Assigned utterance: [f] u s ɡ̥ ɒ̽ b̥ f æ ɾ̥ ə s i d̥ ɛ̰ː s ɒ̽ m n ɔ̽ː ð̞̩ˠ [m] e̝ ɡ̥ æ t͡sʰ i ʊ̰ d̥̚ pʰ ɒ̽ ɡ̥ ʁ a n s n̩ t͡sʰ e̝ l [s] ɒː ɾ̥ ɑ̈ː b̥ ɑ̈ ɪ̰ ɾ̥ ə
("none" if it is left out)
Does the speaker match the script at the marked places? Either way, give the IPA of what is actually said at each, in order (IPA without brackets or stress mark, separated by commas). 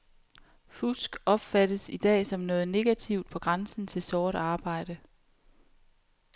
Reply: f, n, s